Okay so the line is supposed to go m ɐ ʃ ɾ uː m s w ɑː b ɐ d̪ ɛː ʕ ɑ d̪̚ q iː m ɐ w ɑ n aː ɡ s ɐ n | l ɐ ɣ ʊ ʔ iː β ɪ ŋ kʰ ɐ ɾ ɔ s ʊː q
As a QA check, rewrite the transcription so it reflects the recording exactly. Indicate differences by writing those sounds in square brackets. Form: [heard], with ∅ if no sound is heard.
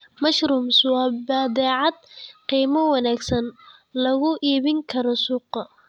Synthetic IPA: m ɐ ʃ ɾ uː m s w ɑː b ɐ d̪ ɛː ʕ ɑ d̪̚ q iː m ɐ w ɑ n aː ɡ s ɐ n | l ɐ ɣ ʊ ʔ iː β ɪ ŋ kʰ ɐ ɾ ɔ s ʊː q